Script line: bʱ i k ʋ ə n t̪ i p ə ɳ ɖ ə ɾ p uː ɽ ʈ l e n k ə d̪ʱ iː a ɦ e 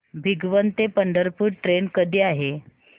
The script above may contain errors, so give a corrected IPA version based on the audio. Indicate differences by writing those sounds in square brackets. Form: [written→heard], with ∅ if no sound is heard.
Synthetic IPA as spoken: bʱ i [k→ɡ] ʋ ə n t̪ [i→e] p ə ɳ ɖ ə ɾ p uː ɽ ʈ [l→ɾ] e n k ə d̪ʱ iː a ɦ e